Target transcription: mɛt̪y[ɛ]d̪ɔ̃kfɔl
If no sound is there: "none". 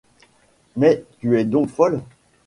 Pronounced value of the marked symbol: ɛ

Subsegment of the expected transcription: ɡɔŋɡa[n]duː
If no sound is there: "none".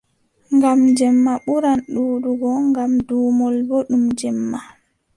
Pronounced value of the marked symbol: m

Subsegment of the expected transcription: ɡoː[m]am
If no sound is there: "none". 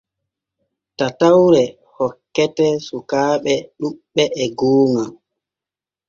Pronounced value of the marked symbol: ŋ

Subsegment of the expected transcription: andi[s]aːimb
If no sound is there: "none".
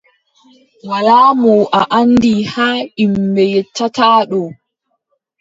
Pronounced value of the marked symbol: h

